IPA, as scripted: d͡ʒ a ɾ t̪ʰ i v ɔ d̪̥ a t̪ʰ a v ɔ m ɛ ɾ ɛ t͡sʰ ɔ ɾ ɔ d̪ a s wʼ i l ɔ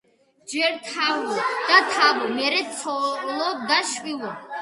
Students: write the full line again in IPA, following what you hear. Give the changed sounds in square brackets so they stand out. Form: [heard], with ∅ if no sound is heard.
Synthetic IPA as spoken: d͡ʒ [ɛ] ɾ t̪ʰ [a] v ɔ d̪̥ a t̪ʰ a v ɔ m ɛ ɾ ɛ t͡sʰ ɔ [l] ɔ d̪ a [ʃ] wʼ i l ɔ